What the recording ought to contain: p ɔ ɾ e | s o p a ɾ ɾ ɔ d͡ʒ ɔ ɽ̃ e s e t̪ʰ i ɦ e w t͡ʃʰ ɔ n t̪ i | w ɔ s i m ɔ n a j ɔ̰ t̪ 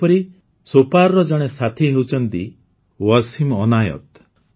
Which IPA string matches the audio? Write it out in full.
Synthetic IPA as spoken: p ɔ ɾ i | s o p a ɾ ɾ ɔ d͡ʒ ɔ ɽ̃ e s a t̪ʰ i ɦ e w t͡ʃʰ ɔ n t̪ i | w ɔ s i m ɔ n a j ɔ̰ t̪